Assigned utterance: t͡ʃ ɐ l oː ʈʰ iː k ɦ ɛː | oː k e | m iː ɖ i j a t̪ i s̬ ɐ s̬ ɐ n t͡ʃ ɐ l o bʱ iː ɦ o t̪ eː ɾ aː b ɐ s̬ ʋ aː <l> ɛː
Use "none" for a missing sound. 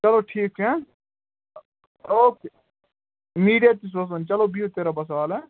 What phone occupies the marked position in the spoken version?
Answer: l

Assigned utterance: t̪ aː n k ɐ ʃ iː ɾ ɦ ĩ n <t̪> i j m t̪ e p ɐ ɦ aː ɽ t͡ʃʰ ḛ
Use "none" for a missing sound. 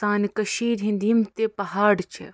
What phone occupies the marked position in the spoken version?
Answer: d̪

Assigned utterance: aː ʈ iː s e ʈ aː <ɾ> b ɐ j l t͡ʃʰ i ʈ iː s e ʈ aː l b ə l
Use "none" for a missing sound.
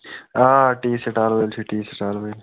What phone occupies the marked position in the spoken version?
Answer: l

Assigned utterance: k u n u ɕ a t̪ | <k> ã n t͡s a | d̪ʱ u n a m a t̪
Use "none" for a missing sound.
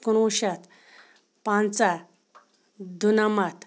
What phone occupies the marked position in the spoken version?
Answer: p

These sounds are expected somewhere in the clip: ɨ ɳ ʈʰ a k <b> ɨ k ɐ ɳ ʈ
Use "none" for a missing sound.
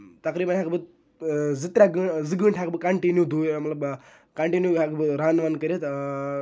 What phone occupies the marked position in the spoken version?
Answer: b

